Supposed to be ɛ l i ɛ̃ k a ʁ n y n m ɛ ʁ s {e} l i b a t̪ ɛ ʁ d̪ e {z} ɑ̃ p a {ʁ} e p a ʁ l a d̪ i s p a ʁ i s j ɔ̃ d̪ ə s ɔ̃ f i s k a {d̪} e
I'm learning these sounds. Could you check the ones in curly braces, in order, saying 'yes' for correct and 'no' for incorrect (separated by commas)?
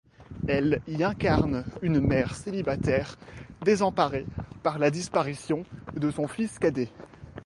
yes, yes, yes, yes